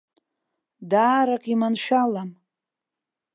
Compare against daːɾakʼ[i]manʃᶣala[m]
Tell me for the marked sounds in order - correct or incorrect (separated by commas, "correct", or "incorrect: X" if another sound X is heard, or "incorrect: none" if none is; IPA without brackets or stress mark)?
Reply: correct, correct